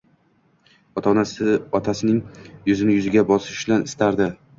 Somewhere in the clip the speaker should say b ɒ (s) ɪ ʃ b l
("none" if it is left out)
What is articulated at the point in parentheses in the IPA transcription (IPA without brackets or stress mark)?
s